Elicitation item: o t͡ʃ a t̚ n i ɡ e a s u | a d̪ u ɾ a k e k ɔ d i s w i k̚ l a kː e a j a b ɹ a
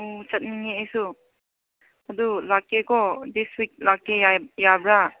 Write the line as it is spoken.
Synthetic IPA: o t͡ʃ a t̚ n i ŋ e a s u | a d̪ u l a k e k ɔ d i s w i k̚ l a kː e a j a b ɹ a